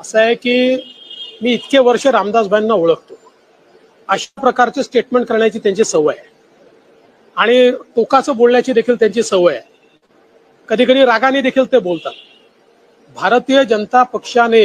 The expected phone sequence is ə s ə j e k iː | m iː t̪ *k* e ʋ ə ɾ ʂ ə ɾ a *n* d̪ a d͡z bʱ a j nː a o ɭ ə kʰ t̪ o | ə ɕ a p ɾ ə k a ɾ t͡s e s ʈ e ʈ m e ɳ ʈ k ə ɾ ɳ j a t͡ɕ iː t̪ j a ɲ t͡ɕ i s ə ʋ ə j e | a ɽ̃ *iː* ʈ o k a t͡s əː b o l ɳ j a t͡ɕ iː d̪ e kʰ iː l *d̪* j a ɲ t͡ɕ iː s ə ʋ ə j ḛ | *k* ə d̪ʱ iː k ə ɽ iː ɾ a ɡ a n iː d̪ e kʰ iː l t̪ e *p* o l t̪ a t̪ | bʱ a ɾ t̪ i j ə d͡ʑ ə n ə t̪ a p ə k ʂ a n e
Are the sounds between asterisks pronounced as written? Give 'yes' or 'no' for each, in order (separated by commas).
yes, no, no, no, yes, no